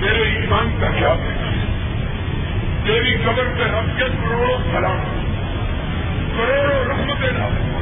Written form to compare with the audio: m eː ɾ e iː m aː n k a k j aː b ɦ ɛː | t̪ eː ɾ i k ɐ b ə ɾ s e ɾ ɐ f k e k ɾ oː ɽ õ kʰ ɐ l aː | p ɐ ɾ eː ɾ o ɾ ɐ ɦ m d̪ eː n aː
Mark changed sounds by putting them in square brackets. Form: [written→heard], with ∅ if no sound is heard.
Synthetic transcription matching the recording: m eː ɾ e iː m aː n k a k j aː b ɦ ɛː | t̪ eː ɾ i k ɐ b ə ɾ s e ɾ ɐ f k e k ɾ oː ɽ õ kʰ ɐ l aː | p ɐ ɾ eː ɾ o ɾ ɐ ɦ m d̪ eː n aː